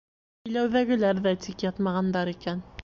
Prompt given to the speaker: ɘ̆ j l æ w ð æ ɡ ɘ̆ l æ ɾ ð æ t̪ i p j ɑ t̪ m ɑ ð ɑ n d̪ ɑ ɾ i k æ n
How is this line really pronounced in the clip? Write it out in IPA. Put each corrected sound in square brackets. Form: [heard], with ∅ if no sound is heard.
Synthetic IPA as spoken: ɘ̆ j l æ w ð æ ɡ ɘ̆ l æ ɾ ð æ t̪ i [k] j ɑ t̪ m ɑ [ʁ] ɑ n d̪ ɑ ɾ i k æ n